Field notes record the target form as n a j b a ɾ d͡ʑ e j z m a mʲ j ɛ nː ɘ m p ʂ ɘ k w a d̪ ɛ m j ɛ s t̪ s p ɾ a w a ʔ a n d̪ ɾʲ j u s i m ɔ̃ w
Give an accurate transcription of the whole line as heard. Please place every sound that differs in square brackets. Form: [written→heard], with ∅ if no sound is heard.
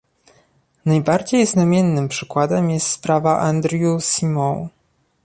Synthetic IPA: n a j b a ɾ d͡ʑ e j z [m→n] a mʲ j ɛ nː ɘ m p ʂ ɘ k w a d̪ ɛ m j ɛ s t̪ s p ɾ a [w→v] a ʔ a n d̪ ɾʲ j u s i m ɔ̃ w